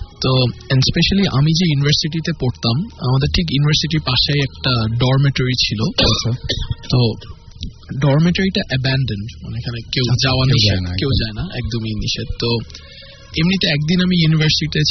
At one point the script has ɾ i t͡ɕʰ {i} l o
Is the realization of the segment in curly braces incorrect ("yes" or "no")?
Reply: no